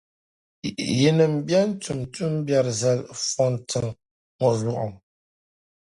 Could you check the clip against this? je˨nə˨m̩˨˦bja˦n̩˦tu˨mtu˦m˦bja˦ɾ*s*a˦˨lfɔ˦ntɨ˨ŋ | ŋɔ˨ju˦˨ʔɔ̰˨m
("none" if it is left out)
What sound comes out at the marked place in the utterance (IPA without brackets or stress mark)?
z